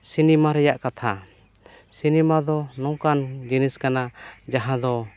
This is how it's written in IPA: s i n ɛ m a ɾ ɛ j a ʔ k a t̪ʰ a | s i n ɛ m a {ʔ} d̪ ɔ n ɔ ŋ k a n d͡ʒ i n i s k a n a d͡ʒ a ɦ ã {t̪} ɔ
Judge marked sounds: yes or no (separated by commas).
no, no